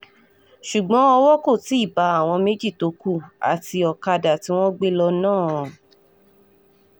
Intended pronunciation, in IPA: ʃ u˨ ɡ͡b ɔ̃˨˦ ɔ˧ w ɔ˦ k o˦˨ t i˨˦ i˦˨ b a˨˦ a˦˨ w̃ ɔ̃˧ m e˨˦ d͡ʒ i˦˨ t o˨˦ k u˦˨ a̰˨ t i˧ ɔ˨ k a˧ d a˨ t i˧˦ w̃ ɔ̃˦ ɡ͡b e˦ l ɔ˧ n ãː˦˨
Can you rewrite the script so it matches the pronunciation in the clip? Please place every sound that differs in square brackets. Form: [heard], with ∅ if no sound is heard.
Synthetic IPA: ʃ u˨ ɡ͡b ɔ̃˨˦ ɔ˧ w ɔ˦ k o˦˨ t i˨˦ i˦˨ b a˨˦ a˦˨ w̃ ɔ̃˧ m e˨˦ d͡ʒ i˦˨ t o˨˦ k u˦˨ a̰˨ t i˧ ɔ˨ k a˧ d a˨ t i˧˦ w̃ ɔ̃˦ ɡ͡b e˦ l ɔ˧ n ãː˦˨